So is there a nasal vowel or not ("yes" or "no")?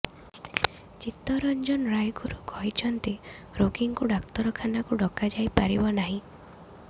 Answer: yes